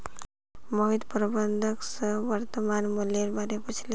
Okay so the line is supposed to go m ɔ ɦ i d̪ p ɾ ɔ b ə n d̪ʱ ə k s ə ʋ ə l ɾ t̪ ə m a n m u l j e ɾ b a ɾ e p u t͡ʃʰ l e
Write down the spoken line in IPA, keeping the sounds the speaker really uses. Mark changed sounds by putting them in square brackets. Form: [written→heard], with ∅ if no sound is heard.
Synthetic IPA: m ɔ ɦ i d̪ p ɾ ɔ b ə n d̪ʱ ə k s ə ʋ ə [l→∅] ɾ t̪ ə m a n m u l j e ɾ b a ɾ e p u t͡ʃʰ l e